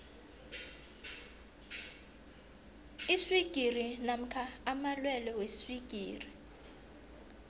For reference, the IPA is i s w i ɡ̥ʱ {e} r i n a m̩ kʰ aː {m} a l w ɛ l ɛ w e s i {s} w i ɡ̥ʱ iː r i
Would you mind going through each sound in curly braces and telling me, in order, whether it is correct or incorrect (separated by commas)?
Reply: incorrect, correct, correct